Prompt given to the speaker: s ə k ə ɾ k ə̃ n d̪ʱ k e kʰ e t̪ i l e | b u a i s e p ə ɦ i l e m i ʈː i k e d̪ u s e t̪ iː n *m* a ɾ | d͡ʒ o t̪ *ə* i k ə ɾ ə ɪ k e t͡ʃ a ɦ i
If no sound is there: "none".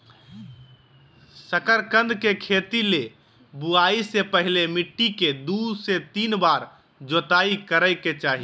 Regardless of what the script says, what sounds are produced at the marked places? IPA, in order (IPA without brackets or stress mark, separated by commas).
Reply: b, a